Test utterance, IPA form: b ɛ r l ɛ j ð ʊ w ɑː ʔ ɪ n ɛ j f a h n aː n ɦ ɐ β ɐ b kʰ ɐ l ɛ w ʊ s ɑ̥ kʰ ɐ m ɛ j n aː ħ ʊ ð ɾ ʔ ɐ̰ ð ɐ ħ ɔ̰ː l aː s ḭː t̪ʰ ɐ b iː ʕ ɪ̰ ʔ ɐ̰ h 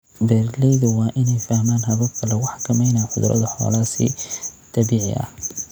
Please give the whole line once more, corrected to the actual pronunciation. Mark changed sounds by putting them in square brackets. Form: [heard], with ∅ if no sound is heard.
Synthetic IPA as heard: b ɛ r l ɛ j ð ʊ w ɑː ʔ ɪ n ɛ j f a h [m] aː n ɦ ɐ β ɐ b kʰ ɐ l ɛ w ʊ [ħ] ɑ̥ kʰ ɐ m ɛ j n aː ħ ʊ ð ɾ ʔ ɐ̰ ð ɐ ħ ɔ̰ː l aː s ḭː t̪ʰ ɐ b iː ʕ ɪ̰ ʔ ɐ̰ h